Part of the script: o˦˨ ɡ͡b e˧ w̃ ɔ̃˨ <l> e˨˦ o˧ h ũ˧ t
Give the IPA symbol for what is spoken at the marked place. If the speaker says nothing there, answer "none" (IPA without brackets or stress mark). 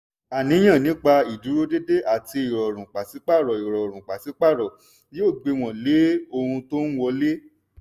l